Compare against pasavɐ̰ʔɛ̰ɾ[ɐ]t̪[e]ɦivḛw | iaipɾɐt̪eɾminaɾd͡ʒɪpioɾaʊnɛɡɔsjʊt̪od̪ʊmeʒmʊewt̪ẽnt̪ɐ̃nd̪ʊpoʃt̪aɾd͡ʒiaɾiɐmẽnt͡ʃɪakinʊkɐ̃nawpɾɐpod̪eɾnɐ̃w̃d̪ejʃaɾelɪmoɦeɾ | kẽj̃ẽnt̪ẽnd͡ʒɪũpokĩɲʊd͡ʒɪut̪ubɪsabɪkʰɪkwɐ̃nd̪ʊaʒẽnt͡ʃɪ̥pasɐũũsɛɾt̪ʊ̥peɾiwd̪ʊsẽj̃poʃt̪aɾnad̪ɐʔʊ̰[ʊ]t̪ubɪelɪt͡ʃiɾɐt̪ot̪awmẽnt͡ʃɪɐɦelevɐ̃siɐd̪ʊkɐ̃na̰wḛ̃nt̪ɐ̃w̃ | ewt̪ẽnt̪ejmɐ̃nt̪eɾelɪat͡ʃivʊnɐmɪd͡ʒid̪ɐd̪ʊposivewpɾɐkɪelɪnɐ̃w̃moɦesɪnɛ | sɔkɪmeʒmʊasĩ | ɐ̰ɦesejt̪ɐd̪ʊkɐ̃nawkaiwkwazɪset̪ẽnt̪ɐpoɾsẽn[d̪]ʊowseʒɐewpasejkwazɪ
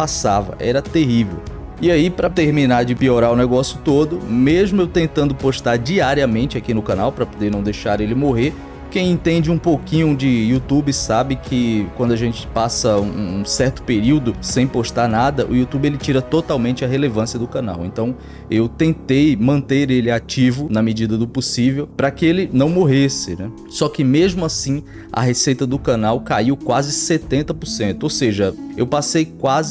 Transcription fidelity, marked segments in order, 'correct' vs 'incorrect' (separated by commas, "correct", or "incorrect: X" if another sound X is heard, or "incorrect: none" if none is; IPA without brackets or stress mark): correct, correct, incorrect: u, incorrect: t̪